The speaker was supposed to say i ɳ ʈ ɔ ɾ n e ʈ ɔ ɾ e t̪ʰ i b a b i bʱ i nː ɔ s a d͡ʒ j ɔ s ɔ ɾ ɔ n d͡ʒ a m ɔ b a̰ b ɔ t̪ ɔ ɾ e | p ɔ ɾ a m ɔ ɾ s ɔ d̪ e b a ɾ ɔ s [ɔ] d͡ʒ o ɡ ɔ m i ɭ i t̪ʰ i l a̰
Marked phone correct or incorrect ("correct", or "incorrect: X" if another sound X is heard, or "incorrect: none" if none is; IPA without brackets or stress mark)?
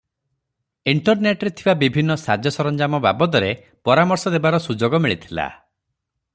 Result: incorrect: u